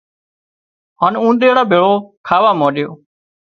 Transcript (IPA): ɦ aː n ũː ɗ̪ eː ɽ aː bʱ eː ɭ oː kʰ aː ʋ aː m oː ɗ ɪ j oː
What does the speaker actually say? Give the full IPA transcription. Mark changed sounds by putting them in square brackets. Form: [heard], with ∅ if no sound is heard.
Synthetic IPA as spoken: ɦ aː n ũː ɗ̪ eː ɽ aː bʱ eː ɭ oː kʰ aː ʋ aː m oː ɗ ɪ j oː